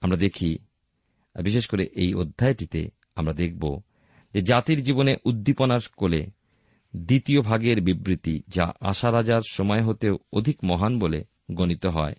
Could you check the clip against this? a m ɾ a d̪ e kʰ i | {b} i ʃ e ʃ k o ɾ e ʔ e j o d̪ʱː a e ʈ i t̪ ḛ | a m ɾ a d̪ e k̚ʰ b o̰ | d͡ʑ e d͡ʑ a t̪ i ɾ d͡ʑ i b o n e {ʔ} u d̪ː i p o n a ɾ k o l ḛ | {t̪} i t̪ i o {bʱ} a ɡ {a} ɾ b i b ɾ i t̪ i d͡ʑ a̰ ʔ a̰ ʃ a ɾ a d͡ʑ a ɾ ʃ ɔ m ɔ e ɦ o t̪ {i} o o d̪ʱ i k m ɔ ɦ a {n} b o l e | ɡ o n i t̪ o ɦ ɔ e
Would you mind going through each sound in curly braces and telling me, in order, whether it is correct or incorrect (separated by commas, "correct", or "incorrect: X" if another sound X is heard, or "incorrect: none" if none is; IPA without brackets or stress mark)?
correct, correct, incorrect: d̪, correct, incorrect: e, incorrect: e, correct